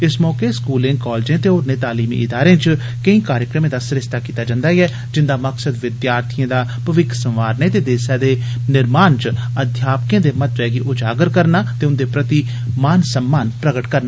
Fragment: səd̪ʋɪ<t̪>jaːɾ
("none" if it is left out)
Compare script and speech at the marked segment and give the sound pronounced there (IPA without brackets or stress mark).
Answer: d̪